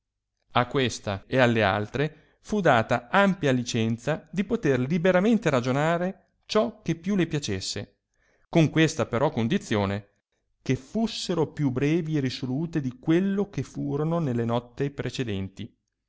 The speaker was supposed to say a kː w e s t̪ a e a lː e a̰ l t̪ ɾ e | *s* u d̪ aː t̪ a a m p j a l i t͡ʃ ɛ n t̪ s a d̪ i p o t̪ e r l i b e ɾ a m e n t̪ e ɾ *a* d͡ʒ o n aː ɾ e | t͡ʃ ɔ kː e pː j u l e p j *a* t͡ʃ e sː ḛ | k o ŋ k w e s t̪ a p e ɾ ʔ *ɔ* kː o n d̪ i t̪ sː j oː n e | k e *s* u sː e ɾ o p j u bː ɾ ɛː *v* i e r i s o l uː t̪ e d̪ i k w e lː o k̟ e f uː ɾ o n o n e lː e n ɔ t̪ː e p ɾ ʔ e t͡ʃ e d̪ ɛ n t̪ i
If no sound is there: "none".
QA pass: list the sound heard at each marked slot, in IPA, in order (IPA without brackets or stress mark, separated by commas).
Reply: f, a, a, ɔ, f, v